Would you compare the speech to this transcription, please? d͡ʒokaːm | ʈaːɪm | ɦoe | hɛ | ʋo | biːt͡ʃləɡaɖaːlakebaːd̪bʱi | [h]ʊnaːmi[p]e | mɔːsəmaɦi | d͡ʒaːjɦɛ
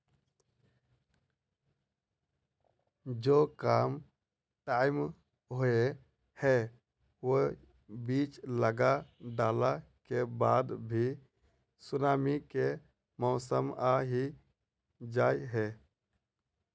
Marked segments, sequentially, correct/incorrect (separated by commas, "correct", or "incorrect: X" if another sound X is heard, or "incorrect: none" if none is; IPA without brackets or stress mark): incorrect: s, incorrect: k